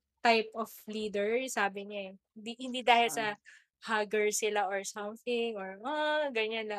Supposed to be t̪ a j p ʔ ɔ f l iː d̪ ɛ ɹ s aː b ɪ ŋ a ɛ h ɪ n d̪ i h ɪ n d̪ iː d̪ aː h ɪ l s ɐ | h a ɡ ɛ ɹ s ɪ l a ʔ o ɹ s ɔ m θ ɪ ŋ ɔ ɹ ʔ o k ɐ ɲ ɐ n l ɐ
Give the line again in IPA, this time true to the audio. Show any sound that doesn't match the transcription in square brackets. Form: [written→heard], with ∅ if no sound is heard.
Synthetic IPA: t̪ a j p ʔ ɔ f l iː d̪ ɛ ɹ s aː b ɪ [ŋ→ɲ] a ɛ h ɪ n d̪ i h ɪ n d̪ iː d̪ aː h ɪ l s ɐ | h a ɡ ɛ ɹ s ɪ l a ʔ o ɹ s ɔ m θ ɪ ŋ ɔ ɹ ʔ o [k→ɡ] ɐ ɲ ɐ n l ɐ